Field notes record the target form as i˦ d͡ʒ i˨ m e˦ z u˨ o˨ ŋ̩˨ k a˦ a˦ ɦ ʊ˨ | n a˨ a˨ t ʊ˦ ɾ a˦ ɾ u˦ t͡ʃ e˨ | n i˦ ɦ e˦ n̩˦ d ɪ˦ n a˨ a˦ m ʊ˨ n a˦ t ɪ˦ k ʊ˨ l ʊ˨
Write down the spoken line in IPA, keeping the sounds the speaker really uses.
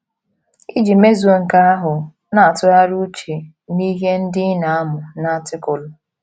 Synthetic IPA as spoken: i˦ d͡ʒ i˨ m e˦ z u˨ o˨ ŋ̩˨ k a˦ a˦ ɦ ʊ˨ | n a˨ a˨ t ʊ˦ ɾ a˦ ɾ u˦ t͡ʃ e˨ | n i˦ ɦ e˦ n̩˦ d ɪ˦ n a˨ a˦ m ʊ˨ n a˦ t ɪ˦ k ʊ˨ l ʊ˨